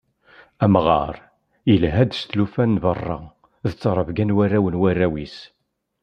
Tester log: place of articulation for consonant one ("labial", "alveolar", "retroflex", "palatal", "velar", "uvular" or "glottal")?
labial